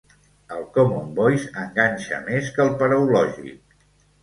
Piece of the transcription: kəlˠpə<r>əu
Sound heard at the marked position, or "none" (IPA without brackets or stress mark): ɾ